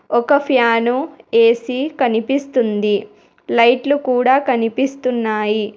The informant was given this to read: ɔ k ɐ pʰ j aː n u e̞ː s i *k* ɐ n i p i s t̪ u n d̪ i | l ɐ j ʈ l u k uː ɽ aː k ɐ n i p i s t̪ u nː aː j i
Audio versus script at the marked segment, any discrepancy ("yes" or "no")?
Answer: no